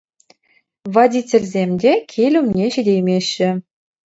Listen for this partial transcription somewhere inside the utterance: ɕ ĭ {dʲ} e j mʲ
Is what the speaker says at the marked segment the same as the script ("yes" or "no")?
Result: yes